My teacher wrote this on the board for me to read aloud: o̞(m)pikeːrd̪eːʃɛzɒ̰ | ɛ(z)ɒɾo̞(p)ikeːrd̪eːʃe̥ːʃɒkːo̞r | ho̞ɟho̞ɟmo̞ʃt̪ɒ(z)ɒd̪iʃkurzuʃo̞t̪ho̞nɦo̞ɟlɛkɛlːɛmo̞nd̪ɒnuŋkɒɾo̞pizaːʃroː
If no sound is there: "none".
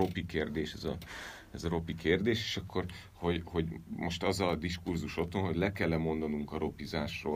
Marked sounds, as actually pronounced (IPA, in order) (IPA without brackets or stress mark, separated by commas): none, z, p, z